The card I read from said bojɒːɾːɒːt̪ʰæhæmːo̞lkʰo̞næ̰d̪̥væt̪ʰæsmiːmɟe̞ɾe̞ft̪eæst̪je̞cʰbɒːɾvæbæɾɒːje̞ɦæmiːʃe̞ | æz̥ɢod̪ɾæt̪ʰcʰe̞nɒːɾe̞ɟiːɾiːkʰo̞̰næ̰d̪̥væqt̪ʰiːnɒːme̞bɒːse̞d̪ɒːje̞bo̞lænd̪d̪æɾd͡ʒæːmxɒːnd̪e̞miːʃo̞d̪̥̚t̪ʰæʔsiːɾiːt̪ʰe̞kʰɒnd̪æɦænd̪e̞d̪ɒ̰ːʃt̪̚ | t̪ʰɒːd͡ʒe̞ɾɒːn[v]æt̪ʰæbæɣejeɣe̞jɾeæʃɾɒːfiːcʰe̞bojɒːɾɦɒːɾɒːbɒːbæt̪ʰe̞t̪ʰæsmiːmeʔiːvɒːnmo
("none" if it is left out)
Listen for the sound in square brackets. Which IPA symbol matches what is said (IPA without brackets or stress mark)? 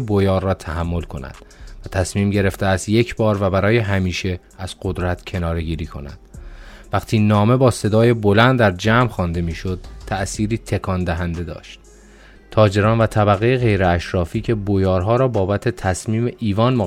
v